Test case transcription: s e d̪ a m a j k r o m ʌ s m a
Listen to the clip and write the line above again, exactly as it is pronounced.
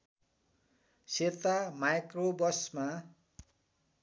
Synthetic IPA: s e t̪ a m a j k r o b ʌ s m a